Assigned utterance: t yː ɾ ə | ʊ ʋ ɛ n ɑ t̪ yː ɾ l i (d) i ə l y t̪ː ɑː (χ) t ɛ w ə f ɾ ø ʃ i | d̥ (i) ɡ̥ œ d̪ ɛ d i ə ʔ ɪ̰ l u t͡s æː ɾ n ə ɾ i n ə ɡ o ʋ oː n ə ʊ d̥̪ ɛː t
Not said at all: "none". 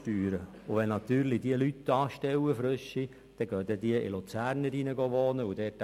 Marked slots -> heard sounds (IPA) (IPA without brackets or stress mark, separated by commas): d, ʃ, ɛ